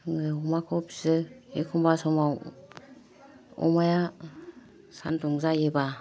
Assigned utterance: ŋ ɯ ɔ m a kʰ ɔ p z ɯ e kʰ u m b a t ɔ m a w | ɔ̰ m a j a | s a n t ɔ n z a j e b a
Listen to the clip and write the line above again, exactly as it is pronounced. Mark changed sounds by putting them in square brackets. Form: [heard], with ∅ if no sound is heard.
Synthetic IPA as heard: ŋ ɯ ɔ m a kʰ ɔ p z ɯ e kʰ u m b a [s] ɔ m a w | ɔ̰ m a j a | s a n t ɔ [ŋ] z a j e b a